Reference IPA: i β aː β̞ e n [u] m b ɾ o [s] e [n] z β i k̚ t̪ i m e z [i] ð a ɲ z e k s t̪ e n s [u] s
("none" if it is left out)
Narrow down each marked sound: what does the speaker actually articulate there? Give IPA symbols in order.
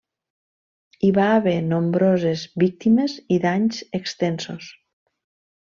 o, z, none, i, o

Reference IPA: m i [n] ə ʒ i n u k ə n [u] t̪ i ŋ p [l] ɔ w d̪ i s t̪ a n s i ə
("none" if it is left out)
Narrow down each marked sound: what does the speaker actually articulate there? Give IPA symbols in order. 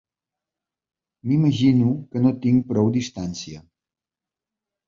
m, o, ɾ

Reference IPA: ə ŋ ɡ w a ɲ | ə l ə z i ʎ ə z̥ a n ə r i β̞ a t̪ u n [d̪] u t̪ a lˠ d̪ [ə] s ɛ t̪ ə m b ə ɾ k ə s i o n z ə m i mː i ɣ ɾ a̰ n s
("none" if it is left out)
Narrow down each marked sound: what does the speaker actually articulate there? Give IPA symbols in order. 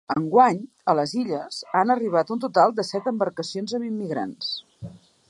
t̪, ə

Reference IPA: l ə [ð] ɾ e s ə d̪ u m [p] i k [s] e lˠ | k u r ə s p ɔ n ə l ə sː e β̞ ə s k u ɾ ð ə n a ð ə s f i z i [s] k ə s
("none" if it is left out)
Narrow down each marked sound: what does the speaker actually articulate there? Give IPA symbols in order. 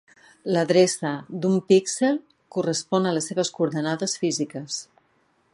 ð, p, s, none

